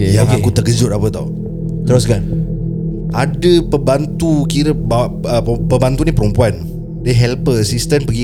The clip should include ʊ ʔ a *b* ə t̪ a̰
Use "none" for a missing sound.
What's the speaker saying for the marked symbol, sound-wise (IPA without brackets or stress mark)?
p